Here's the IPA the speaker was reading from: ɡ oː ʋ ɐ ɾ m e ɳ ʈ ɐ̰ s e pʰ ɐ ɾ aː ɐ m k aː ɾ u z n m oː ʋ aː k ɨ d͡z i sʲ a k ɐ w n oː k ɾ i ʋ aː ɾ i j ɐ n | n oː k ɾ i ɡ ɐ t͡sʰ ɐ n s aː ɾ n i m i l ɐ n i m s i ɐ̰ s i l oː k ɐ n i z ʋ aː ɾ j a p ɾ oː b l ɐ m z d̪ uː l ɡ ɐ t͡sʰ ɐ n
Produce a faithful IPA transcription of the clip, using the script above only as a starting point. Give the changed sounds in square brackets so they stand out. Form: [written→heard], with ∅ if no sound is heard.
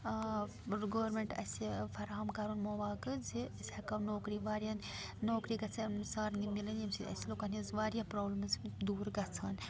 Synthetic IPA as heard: ɡ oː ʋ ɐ ɾ m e ɳ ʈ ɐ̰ s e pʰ ɐ ɾ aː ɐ m k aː ɾ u [z→∅] n m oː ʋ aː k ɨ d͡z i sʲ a k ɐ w n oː k ɾ i ʋ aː ɾ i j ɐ n | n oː k ɾ i ɡ ɐ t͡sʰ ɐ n s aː ɾ n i m i l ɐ n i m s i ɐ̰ s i l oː k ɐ n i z ʋ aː ɾ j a p ɾ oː b l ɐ m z d̪ uː [l→ɾ] ɡ ɐ t͡sʰ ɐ n